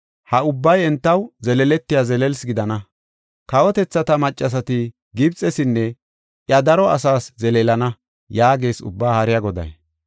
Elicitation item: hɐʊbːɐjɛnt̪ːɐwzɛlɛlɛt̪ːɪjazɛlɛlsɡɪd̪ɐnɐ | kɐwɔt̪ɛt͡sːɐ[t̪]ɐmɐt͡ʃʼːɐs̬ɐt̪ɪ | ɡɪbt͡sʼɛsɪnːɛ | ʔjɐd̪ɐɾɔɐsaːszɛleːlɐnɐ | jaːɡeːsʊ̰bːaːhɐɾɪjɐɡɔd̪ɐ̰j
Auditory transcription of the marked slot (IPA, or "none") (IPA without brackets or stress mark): t̪